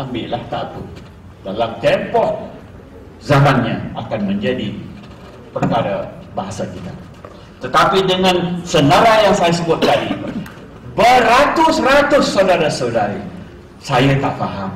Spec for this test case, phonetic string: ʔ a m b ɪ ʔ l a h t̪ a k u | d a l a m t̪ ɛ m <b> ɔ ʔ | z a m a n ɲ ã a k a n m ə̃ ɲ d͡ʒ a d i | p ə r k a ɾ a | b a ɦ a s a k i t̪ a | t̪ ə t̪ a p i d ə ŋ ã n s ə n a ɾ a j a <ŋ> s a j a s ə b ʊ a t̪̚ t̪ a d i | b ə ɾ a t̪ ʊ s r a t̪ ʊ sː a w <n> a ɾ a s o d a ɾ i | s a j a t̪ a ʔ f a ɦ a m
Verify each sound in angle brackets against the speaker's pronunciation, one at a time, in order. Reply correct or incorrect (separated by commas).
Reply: incorrect, correct, incorrect